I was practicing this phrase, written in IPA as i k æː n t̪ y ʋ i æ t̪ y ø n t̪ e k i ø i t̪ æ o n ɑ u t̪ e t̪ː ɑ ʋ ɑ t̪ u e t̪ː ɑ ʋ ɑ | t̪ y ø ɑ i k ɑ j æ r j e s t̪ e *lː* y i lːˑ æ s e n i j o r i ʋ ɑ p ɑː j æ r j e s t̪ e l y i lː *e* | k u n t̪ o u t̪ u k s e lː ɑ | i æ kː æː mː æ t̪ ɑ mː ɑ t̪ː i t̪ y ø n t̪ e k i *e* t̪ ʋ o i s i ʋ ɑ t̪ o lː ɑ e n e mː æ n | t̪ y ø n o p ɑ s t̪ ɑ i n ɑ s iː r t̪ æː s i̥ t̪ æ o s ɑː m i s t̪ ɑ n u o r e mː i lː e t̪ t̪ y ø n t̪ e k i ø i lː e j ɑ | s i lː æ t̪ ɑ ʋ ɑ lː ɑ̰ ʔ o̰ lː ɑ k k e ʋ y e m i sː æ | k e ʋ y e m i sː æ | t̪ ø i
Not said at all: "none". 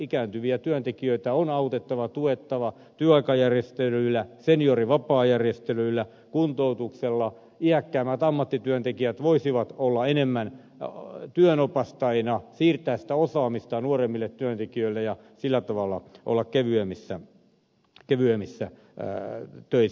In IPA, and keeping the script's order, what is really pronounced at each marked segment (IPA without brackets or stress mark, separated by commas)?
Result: l, æ, æ